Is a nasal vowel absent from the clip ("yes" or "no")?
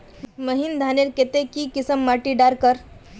yes